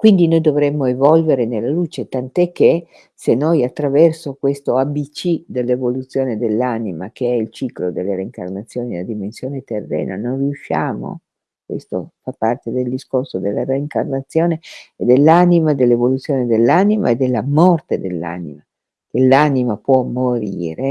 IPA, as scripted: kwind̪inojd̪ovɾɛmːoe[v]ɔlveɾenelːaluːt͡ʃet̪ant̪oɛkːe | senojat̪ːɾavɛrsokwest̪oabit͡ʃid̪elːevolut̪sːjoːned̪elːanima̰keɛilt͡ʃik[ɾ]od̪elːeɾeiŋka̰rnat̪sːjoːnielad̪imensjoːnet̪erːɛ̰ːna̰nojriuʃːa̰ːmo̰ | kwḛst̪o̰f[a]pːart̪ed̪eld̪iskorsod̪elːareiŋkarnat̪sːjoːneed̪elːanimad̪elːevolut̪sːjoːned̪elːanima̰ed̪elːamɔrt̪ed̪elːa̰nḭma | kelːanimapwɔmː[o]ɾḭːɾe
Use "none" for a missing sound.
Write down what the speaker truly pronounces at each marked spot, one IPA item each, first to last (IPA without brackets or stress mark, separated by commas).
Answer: v, l, a, o